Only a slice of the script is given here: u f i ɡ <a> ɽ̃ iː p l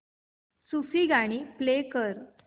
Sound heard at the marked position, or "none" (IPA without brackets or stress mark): a